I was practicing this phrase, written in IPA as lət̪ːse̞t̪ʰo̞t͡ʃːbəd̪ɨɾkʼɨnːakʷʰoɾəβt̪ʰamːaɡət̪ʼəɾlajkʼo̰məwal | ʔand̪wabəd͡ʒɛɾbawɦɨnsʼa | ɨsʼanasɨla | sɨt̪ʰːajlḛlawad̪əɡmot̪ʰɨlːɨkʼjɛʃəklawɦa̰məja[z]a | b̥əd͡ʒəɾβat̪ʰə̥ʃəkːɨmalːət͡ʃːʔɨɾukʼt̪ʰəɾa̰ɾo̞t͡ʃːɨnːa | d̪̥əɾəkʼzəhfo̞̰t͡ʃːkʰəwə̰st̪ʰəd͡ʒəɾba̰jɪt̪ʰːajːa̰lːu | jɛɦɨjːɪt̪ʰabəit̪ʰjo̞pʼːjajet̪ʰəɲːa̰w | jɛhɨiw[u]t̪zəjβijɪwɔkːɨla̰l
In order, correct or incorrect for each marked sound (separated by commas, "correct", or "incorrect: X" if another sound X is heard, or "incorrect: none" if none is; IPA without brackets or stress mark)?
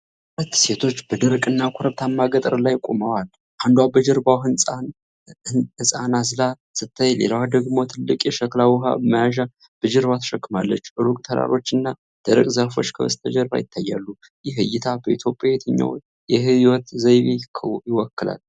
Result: incorrect: ʒ, incorrect: ɔ